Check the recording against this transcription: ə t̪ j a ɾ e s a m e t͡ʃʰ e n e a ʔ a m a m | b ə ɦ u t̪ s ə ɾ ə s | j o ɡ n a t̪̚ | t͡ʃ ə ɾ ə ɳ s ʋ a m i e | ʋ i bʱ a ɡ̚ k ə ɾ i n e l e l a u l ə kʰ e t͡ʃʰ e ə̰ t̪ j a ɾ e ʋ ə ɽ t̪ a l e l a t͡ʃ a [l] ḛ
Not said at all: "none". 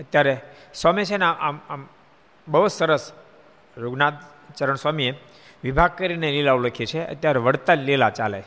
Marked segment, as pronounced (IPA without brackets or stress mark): l